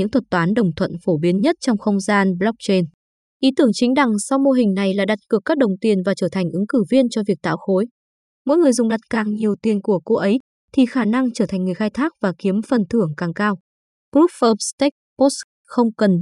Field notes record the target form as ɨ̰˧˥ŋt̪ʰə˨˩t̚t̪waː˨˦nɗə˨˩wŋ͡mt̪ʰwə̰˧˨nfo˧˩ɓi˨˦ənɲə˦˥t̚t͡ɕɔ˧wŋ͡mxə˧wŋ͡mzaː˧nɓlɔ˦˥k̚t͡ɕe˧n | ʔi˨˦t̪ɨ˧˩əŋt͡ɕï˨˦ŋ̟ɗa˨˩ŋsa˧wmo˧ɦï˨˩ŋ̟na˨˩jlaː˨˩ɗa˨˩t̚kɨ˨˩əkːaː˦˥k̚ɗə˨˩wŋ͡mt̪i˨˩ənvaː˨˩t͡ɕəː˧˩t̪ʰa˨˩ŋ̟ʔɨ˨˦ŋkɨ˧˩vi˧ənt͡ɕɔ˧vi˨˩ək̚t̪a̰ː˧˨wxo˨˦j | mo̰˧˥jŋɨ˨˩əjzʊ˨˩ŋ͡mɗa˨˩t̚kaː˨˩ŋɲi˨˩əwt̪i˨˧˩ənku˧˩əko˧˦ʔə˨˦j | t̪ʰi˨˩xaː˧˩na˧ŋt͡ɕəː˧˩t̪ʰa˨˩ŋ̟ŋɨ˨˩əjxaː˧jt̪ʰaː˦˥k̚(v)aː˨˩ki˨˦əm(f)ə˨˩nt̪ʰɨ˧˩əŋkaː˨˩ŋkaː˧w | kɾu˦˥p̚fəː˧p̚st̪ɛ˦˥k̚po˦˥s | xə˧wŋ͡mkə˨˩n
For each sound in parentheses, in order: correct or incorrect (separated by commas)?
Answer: correct, correct